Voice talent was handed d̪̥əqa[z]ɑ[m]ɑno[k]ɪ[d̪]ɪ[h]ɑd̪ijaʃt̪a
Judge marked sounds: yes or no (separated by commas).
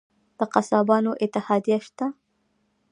no, no, no, no, yes